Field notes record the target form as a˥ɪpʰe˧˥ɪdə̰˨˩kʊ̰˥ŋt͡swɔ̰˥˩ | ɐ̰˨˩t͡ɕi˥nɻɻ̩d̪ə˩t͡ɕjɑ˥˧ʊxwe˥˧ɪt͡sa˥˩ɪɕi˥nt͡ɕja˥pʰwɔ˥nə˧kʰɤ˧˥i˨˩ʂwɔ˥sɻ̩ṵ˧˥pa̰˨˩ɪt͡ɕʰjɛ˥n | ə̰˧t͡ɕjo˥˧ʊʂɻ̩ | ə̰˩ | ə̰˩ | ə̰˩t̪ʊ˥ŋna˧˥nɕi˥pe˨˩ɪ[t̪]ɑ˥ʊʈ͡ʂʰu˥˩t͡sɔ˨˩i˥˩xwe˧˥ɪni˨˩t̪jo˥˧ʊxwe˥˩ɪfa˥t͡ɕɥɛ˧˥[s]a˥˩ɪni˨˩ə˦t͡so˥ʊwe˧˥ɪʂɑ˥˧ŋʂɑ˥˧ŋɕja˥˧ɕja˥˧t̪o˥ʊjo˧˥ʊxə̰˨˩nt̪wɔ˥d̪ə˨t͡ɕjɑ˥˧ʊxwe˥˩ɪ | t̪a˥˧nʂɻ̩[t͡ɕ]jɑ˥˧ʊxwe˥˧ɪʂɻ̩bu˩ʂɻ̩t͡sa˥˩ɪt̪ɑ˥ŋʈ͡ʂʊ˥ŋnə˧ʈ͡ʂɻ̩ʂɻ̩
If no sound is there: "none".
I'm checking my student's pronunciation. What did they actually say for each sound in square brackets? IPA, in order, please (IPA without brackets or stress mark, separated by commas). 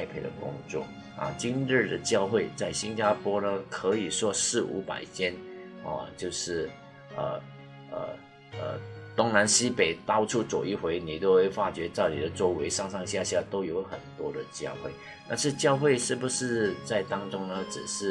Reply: t̪, t͡s, t͡ɕ